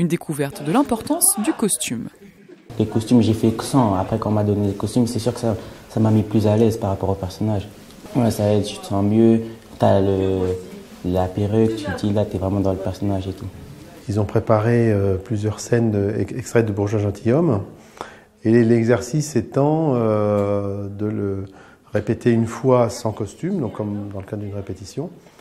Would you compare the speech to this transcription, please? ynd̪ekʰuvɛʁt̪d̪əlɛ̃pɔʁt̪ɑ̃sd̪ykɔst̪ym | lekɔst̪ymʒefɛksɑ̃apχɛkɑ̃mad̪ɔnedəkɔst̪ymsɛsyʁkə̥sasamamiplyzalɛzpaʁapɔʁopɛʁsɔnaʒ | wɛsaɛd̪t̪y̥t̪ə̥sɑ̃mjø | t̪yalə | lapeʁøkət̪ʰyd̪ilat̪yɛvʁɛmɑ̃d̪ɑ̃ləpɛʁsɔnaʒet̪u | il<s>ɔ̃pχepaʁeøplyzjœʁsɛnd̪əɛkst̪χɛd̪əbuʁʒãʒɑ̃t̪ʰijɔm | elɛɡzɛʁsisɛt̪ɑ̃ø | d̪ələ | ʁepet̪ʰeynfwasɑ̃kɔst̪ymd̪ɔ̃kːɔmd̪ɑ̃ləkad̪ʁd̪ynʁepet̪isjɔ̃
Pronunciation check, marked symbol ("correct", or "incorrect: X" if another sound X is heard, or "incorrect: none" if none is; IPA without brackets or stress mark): incorrect: z